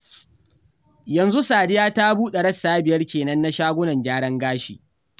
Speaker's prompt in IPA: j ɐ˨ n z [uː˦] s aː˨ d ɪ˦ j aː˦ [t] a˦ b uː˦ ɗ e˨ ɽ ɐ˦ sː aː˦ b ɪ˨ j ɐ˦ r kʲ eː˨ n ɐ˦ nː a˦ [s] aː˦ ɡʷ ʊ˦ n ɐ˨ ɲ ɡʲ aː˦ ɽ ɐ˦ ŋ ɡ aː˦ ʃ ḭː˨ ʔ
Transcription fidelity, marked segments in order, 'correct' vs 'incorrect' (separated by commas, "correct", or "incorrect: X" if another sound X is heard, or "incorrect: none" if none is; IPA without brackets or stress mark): incorrect: u˦, correct, incorrect: ʃ